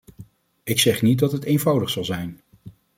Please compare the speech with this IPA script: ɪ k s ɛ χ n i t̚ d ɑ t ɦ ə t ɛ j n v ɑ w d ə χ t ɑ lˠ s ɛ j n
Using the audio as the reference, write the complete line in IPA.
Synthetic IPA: ɪ k s ɛ χ n i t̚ d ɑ t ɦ ə t e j n v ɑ w d ə χ s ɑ lˠ z ɛ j n